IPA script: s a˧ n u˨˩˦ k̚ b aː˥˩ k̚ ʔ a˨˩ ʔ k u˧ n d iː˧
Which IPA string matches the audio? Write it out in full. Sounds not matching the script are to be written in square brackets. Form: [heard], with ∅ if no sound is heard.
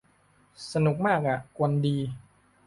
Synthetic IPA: s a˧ n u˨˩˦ k̚ [m] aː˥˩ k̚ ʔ a˨˩ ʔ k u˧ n d iː˧